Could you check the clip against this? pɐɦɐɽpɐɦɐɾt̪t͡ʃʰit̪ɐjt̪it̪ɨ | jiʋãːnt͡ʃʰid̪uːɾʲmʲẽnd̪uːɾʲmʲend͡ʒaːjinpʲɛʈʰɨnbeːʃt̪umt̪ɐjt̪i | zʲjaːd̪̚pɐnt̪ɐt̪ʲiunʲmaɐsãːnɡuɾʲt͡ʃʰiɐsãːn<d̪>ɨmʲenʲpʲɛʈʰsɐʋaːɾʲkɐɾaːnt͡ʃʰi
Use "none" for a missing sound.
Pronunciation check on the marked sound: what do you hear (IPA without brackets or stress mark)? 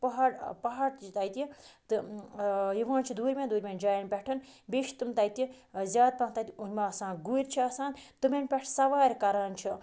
t̪